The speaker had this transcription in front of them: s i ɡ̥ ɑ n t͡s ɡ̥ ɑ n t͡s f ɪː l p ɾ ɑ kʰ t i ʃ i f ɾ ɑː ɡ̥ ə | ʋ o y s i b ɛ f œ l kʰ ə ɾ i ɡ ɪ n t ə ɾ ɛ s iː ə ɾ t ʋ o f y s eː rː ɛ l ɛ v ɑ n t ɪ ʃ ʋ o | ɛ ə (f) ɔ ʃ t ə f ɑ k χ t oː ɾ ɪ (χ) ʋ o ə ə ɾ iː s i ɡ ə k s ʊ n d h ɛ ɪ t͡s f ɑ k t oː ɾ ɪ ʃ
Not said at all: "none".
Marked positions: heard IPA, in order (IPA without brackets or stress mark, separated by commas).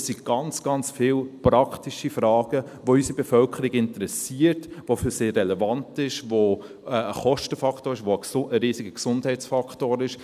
χ, ʃ